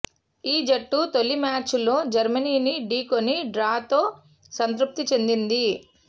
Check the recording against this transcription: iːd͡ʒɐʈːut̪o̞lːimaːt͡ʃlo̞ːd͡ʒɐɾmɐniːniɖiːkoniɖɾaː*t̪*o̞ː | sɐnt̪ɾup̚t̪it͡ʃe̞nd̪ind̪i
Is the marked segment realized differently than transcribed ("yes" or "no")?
no